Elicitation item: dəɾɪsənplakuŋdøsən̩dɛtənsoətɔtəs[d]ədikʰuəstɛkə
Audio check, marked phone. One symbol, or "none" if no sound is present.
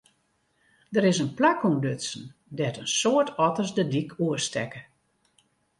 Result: d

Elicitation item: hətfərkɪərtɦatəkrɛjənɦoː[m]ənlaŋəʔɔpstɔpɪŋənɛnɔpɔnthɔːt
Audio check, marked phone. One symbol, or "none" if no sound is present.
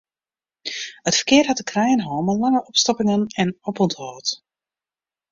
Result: m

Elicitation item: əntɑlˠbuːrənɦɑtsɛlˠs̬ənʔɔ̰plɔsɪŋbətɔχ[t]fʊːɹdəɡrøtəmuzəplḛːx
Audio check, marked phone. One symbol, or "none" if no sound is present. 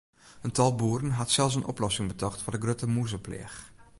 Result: t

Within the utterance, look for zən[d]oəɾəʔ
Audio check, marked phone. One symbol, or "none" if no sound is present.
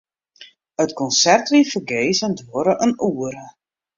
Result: d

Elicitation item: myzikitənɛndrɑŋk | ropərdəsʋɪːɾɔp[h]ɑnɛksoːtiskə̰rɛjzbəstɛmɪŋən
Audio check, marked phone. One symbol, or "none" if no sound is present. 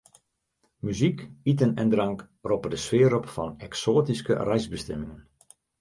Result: f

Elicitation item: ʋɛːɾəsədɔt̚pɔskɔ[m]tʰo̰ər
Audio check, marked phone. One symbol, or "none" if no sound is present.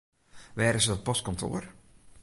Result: n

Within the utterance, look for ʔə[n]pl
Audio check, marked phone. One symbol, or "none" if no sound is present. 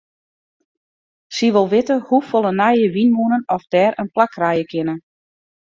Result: n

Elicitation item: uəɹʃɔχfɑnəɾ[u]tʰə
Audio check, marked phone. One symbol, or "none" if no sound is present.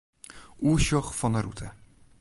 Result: u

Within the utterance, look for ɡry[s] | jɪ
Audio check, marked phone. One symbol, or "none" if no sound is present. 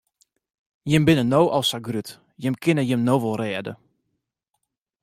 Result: t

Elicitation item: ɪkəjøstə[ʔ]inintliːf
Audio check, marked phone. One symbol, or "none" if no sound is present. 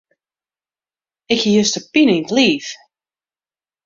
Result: p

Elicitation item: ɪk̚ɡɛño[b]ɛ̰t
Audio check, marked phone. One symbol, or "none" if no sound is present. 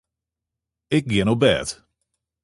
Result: b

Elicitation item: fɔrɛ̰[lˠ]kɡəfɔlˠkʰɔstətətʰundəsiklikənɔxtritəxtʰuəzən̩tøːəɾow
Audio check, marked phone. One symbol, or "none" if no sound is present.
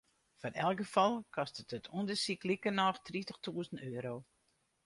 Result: lˠ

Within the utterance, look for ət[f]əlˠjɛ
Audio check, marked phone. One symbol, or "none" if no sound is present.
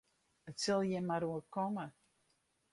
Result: s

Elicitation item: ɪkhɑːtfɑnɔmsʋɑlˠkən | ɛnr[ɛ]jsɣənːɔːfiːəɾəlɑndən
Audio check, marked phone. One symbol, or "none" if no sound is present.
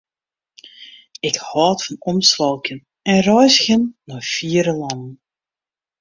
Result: œ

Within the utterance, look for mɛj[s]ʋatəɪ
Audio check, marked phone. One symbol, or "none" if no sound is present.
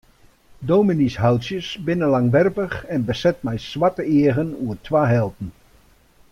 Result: s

